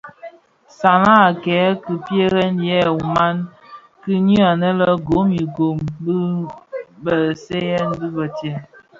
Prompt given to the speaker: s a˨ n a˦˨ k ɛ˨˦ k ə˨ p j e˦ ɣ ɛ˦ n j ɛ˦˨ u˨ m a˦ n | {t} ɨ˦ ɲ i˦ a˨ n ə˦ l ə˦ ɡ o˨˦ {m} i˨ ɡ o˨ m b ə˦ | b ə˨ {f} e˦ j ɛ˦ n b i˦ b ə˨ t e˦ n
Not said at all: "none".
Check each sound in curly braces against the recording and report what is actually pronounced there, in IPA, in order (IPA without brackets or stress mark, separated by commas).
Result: k, m, s